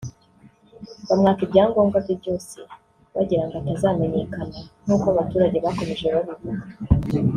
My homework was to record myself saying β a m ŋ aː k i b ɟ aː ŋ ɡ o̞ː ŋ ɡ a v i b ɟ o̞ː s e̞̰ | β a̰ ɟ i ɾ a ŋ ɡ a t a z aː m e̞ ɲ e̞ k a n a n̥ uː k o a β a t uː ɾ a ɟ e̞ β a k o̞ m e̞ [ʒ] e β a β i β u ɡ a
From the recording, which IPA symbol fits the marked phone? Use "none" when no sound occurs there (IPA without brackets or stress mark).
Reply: ʒ